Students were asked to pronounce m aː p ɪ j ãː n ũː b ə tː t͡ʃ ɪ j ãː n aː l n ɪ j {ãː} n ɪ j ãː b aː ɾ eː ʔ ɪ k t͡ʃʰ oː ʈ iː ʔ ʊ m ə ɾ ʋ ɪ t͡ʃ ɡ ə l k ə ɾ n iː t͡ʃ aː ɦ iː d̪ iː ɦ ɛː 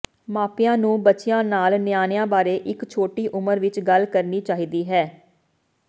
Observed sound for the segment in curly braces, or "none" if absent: aː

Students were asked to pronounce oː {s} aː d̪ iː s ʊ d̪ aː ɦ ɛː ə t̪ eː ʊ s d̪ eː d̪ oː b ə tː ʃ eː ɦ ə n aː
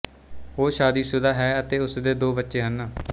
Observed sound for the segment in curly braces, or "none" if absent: ʃ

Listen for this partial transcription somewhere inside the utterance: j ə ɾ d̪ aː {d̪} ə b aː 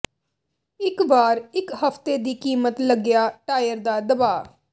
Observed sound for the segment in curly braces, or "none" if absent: d̪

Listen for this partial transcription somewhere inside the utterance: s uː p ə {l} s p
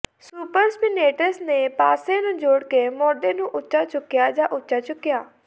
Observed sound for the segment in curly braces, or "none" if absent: ɾ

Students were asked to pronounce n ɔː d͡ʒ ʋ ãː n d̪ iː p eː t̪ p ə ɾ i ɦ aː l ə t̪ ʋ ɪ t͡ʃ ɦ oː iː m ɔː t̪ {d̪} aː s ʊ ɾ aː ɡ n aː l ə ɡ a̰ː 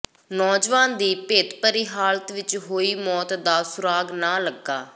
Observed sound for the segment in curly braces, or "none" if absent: d̪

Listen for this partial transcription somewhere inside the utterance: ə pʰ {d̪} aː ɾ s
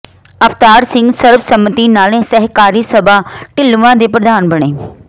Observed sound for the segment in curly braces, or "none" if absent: t̪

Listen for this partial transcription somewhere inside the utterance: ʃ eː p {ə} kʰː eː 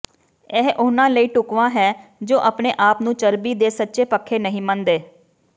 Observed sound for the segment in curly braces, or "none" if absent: ə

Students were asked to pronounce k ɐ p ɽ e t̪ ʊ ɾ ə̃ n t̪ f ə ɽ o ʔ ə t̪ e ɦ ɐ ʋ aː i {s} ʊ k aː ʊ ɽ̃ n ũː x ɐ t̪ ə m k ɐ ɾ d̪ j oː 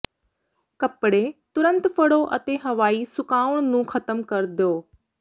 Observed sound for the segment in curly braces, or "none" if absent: s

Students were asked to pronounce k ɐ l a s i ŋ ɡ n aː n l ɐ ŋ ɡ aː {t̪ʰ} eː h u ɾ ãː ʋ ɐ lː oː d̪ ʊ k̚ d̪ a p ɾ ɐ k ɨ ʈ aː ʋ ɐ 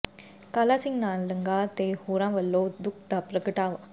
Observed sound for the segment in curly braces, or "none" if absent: t̪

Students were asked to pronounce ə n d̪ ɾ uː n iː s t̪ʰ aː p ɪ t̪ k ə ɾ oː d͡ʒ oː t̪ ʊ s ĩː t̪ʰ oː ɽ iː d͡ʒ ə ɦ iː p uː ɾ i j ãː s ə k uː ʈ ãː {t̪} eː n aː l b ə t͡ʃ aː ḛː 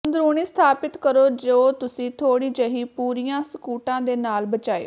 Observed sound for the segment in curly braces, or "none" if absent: d̪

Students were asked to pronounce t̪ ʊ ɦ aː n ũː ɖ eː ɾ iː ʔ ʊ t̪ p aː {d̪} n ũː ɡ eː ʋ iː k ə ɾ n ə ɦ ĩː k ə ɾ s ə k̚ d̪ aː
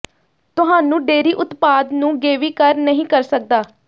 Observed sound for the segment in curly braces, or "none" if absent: d̪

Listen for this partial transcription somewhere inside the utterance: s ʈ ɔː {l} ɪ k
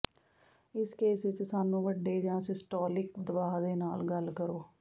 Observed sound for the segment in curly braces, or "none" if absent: l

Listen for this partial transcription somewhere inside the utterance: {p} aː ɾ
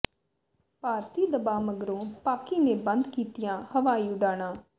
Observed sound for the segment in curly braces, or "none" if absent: p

